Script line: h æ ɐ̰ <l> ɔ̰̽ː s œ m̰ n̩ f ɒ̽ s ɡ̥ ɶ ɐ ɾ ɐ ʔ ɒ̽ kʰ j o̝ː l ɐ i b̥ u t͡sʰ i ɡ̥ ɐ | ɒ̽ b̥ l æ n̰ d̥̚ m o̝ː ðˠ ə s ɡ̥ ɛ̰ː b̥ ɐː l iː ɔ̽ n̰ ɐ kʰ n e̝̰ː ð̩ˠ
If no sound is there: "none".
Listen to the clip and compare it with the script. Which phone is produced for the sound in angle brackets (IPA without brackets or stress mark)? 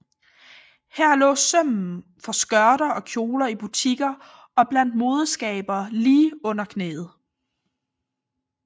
l